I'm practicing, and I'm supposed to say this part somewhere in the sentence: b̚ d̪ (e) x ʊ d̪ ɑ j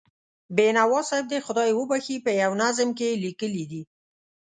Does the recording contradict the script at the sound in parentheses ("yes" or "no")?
no